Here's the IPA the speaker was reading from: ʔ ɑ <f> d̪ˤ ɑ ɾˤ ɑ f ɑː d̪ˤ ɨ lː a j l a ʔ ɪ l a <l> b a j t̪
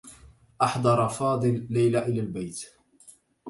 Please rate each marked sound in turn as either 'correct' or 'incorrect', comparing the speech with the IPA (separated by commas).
incorrect, correct